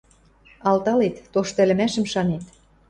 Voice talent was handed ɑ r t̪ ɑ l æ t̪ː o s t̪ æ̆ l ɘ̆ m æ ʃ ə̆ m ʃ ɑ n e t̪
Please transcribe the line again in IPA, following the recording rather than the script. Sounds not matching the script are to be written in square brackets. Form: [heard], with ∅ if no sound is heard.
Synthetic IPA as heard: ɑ [l] t̪ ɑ l [e] t̪ː o [ʃ] t̪ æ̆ l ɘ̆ m æ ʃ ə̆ m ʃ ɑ n e t̪